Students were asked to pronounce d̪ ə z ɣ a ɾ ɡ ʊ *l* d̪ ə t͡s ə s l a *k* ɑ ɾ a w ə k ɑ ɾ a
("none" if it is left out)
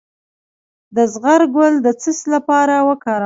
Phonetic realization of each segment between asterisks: l, p

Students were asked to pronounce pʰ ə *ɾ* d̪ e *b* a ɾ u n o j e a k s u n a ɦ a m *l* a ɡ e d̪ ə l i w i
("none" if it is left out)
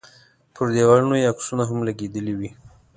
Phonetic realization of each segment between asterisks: ɾ, w, l

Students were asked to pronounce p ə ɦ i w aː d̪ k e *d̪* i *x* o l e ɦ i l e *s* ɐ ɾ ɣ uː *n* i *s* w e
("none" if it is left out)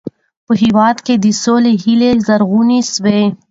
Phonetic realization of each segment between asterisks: d̪, s, z, n, s

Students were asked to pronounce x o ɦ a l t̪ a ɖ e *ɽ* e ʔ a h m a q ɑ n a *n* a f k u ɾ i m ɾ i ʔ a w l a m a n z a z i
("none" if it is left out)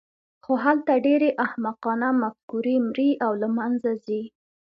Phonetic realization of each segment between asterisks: ɾ, m

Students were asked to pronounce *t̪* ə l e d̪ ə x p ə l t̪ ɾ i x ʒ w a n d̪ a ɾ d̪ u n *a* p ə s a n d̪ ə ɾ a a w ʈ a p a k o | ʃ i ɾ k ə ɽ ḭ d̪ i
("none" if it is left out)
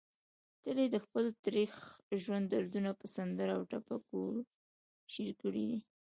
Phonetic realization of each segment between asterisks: t̪, a

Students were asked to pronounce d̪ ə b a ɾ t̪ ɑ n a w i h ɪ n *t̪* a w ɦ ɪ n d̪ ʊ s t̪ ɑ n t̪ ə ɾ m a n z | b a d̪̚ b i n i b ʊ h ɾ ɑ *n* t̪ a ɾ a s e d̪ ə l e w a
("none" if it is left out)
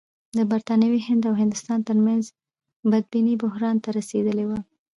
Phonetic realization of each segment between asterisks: d̪, n

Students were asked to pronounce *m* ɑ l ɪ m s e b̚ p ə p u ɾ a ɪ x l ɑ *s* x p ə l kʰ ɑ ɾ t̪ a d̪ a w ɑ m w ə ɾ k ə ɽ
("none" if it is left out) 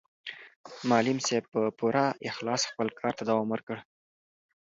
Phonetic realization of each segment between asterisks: m, s

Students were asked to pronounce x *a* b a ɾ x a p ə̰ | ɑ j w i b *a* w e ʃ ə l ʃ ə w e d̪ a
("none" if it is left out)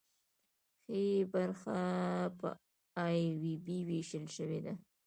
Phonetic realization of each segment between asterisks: e, i

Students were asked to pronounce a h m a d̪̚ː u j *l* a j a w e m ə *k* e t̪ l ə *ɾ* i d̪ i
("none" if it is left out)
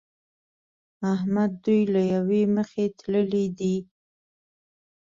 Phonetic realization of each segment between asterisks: l, x, l

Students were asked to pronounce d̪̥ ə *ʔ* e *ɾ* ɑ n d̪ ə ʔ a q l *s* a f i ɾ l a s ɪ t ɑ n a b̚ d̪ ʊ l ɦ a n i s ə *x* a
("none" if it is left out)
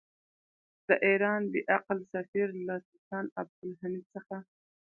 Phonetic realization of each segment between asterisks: ʔ, ɾ, s, x

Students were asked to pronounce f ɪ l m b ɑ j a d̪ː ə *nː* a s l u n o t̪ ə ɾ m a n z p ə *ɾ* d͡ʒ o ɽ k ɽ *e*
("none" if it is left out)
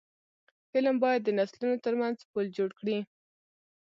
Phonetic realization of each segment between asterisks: n, l, i

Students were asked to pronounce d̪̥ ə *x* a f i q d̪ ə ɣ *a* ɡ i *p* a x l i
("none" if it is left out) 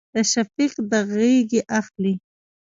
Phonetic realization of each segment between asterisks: ʃ, e, ʔ

